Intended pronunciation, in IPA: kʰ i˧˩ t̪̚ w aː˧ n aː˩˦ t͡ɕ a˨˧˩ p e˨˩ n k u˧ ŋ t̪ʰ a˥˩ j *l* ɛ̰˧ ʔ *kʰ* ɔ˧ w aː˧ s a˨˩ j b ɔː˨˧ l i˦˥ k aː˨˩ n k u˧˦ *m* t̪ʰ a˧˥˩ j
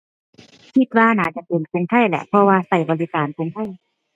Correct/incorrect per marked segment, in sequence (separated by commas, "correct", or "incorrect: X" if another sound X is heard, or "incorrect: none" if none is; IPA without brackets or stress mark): correct, incorrect: pʰ, incorrect: ŋ